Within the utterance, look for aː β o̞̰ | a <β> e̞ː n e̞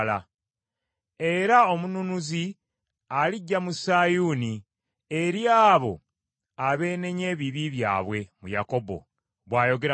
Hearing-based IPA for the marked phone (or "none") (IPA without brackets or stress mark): β